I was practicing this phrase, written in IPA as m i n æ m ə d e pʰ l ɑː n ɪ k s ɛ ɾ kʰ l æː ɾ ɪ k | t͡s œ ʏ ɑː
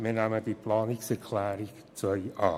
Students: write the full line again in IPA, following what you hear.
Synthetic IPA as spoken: m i n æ m ə d i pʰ l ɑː n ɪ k s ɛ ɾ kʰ l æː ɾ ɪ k | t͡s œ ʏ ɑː